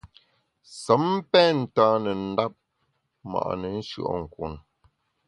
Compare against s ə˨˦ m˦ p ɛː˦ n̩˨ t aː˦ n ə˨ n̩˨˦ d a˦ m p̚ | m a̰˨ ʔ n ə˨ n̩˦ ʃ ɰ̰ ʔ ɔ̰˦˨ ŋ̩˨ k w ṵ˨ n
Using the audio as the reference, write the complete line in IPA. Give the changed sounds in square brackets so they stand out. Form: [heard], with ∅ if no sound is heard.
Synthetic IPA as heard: s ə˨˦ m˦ p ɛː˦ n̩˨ t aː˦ n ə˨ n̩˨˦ d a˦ [∅] p̚ | m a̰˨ ʔ n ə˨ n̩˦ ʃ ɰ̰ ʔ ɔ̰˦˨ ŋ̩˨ k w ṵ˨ n